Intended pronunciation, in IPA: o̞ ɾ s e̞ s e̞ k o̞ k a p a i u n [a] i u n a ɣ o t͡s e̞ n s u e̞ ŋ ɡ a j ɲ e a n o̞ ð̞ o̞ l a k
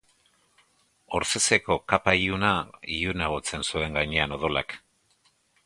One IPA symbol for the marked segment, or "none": a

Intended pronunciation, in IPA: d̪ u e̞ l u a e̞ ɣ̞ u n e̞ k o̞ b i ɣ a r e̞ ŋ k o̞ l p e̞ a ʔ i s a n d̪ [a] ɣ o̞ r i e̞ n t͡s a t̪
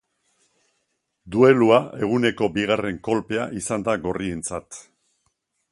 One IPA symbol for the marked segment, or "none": a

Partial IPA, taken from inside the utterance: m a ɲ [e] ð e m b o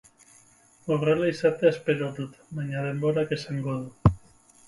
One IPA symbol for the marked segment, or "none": a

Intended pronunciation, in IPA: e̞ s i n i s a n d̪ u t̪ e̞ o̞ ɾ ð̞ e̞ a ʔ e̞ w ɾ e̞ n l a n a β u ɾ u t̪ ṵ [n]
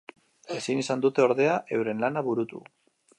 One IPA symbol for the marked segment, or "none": none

